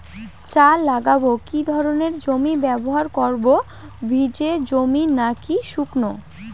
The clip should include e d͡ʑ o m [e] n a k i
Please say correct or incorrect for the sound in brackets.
incorrect